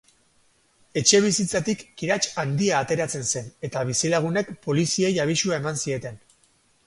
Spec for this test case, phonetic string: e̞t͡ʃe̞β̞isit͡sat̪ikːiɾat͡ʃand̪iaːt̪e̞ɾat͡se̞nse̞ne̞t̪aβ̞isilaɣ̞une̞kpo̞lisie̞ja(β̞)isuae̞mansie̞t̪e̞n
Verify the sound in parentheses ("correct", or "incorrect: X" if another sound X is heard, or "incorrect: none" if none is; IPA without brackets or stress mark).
correct